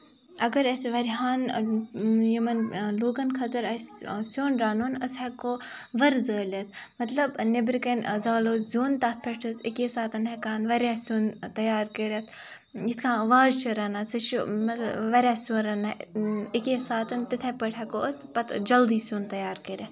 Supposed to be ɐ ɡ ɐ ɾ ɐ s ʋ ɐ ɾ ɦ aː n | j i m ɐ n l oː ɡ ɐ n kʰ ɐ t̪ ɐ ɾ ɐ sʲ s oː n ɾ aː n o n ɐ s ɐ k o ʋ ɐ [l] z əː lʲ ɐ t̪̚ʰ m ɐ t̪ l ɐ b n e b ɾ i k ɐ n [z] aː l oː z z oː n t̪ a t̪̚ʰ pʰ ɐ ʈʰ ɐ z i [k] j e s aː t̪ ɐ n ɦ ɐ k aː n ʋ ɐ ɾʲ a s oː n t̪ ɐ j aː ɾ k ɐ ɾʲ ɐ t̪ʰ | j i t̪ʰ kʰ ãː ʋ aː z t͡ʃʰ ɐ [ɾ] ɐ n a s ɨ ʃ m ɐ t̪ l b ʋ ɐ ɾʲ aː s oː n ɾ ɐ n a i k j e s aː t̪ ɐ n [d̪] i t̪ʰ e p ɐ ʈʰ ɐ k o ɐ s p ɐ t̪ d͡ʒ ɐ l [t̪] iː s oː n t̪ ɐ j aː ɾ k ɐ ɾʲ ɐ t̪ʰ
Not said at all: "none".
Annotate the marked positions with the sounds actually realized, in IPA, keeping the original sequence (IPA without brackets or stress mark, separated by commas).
ɾ, z, k, ɾ, t̪, d̪